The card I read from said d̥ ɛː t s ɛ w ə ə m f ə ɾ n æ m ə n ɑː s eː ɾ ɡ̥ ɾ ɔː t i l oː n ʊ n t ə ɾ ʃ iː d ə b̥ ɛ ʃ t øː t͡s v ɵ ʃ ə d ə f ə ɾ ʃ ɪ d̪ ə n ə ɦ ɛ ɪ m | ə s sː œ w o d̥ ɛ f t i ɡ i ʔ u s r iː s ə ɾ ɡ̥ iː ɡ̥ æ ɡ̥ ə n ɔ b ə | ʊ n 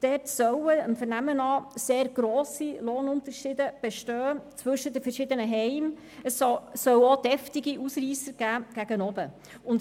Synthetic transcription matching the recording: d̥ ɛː t s œ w ə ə m f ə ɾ n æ m ə n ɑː s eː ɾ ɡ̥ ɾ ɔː s i l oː n ʊ n t ə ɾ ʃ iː d ə b̥ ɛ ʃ t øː t͡s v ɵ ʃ ə d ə f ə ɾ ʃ ɪ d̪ ə n ə ɦ ɛ ɪ m | ə s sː œ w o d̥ ɛ f t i ɡ i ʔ u s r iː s ə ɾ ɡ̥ æː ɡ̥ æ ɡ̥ ə n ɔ b ə | ʊ n